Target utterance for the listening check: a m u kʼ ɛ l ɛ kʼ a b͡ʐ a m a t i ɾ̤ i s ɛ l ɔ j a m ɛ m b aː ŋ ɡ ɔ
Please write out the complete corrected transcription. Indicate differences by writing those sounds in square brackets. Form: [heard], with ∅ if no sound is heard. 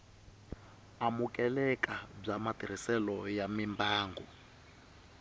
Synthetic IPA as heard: a m u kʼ ɛ l ɛ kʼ a b͡ʐ a m a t i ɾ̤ i s ɛ l ɔ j a m [i] m b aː ŋ ɡ ɔ

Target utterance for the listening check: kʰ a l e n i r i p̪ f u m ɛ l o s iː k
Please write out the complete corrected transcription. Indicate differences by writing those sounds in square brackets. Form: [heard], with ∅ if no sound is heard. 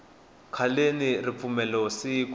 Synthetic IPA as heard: kʰ a l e n i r i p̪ f u m ɛ l [ɔ] s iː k

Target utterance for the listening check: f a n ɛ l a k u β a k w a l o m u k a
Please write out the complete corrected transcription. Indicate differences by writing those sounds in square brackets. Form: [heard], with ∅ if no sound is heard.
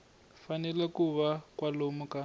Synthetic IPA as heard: f a n ɛ l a k u β a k w a l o m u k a

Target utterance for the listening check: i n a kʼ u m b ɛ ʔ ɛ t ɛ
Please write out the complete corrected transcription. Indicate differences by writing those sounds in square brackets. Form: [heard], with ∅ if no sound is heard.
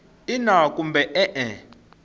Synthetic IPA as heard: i n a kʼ u m b ɛ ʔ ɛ [ʔ] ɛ

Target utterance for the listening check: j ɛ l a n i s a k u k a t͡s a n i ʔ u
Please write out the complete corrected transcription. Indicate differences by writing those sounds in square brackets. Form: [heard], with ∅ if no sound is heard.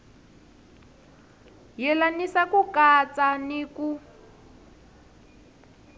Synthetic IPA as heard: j ɛ l a n i s a k u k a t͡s a n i [k] u

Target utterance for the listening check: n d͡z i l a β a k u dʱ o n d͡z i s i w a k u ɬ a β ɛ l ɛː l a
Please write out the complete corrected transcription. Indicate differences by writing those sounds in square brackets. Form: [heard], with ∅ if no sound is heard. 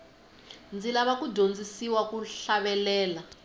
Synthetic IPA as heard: n d͡z i l a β a k u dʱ o n d͡z i s i w a k u ɬ a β ɛ l ɛː l a

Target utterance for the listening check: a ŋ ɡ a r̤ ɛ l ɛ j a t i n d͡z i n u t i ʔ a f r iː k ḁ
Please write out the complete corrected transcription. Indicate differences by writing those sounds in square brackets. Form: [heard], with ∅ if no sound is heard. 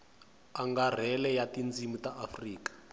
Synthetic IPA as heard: a ŋ ɡ a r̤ ɛ l ɛ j a t i n d͡z i [m] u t [a] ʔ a f r iː k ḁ

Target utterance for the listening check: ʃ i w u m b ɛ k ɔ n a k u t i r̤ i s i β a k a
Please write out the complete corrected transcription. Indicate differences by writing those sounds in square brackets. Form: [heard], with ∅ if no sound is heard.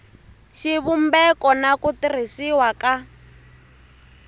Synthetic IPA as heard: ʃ i [β] u m b ɛ k ɔ n a k u t i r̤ i s i [w] a k a

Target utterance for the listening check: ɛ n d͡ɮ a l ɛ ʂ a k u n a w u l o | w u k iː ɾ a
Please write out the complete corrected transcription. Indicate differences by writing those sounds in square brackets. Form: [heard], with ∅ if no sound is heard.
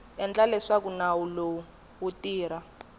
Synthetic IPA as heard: ɛ n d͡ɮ a l ɛ ʂ a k u n a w u l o | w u [t] iː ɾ a

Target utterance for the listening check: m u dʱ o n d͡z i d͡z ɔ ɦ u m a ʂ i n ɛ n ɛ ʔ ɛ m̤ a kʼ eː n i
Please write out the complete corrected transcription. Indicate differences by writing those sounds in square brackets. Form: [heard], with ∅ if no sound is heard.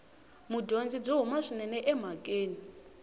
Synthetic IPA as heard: m u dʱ o n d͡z i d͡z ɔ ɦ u m a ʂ i n ɛ n ɛ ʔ ɛ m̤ a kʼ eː n i

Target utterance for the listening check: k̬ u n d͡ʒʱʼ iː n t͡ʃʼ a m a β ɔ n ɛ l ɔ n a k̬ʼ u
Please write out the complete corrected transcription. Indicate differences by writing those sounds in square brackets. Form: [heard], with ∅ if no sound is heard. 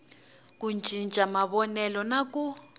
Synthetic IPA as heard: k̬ u n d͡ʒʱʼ [i] n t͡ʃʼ a m a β ɔ n ɛ l ɔ n a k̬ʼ u

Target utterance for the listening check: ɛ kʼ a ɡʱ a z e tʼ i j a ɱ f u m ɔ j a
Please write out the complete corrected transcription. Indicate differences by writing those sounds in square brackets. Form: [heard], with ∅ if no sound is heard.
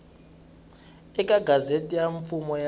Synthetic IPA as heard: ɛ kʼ a ɡʱ a z e tʼ i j a ɱ f u m ɔ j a

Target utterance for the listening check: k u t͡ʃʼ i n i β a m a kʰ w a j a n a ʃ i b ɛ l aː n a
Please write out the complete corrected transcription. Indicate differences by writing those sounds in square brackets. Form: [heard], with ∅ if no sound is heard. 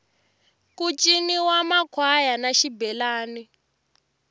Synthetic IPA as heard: k u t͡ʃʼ i n i [w] a m a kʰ w a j a n a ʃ i b ɛ l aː n [i]

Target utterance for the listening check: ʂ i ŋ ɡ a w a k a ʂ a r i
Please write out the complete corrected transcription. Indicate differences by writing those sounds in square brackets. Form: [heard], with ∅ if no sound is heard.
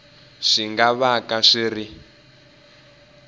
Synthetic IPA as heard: ʂ i ŋ ɡ a [β] a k a ʂ [i] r i

